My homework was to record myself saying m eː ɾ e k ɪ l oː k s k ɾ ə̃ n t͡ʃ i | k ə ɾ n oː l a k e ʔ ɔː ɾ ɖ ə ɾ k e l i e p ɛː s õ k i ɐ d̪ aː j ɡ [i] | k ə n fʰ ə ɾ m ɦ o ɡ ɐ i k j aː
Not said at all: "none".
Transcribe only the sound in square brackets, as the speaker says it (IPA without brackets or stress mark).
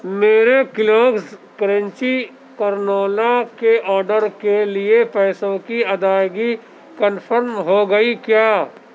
i